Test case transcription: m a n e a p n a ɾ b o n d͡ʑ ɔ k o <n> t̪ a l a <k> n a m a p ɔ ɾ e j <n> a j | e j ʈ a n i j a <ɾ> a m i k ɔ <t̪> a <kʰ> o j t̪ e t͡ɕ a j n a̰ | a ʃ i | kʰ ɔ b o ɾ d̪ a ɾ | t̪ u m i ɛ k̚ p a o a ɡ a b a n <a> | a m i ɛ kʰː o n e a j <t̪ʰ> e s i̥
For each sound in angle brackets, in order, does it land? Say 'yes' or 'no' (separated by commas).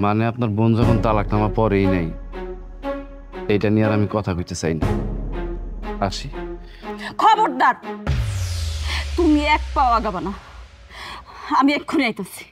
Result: yes, yes, yes, yes, no, no, yes, no